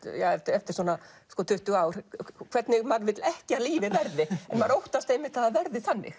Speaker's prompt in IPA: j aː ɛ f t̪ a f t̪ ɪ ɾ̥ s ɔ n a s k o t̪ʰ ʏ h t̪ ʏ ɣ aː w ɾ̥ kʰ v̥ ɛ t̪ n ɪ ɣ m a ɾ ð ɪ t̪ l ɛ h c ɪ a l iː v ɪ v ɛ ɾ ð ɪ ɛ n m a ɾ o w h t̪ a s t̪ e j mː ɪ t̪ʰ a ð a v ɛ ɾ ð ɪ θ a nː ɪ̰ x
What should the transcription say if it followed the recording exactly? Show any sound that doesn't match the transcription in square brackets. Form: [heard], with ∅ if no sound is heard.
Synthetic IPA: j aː ɛ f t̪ [ɛ] f t̪ ɪ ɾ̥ s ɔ n a s k [ɔ] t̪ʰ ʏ h t̪ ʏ ɣ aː w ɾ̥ kʰ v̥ ɛ t̪ n ɪ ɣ m a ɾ [v] ɪ t̪ l ɛ h c ɪ a l iː v ɪ v ɛ ɾ ð ɪ ɛ n m a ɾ o w h t̪ a s t̪ e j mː ɪ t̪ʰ a ð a v ɛ ɾ ð ɪ θ a nː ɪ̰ x